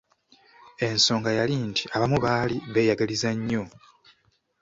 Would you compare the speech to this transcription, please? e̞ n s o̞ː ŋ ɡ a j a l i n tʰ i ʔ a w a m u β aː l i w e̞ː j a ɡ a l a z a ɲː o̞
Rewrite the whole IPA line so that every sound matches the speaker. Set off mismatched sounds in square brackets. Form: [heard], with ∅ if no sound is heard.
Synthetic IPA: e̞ n s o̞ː ŋ ɡ a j a l i n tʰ i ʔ a [β] a m u β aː l i [β] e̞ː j a ɡ a l [i] z a ɲː o̞